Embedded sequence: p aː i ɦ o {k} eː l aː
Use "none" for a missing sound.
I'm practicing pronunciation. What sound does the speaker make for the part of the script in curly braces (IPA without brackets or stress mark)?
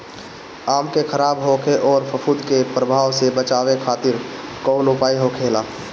kʰ